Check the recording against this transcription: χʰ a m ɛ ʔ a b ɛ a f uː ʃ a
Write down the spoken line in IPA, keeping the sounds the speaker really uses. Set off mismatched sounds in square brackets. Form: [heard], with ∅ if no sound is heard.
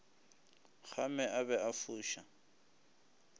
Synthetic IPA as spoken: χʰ a m ɛ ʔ a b ɛ a f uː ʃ a

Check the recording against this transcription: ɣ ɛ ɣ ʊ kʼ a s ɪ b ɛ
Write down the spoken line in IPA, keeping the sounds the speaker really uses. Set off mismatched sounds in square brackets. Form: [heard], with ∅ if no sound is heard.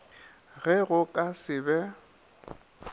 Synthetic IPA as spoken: ɣ ɛ ɣ ʊ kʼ a s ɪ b ɛ

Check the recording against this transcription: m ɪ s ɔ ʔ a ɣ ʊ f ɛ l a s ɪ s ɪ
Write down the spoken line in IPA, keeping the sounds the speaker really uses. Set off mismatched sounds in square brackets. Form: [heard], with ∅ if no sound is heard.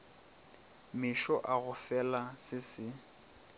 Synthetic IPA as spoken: m ɪ [ʃ] ɔ ʔ a ɣ ʊ f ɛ l a s ɪ s ɪ

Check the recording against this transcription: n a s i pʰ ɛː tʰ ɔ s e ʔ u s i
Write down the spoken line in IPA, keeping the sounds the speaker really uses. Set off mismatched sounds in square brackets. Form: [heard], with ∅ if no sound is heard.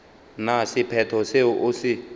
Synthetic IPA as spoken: n a s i pʰ [ɛ] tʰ ɔ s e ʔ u s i

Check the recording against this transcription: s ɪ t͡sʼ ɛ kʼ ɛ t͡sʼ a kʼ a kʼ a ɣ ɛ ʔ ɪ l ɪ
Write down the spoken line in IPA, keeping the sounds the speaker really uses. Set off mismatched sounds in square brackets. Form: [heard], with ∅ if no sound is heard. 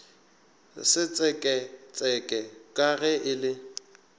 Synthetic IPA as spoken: s ɪ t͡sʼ ɛ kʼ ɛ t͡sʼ [ɛ] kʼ [ɛ] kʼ a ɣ ɛ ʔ ɪ l ɪ

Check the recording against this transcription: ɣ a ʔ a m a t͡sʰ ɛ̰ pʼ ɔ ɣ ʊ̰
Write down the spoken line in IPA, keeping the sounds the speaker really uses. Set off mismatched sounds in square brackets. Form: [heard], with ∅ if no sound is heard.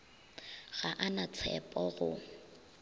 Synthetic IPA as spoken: ɣ a ʔ a [n] a t͡sʰ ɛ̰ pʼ ɔ ɣ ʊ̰

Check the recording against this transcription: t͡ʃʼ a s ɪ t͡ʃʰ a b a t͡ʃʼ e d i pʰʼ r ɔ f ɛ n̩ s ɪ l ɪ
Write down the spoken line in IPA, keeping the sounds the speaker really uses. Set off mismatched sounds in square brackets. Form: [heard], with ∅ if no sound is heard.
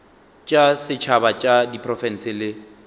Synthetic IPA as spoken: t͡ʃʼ a s ɪ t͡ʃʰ a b a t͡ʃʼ [a] d i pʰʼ r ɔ f ɛ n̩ s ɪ l ɪ

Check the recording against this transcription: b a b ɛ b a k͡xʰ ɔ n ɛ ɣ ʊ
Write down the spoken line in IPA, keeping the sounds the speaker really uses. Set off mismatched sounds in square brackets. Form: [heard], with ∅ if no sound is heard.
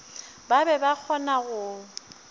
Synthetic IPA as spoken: b a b ɛ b a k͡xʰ ɔ n [a] ɣ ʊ

